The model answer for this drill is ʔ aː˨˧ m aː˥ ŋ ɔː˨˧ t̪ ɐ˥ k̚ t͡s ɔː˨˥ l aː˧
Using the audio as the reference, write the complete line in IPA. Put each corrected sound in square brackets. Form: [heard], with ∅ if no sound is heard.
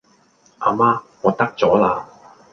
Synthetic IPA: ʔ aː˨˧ m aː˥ ŋ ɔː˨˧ t̪ ɐ˥ k̚ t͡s ɔː˨˥ l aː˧